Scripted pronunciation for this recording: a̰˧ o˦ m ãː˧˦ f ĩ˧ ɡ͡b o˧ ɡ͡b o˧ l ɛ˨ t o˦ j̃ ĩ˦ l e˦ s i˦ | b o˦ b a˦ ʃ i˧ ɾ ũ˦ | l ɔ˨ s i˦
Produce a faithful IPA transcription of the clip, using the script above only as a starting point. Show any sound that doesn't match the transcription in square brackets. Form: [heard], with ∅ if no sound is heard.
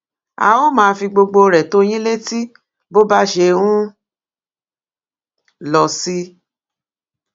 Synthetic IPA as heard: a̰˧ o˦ m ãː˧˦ f [i˧] ɡ͡b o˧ ɡ͡b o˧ [ɾ] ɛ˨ t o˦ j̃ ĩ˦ l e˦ [t] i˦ | b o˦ b a˦ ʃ [e˧] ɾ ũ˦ | l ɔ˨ s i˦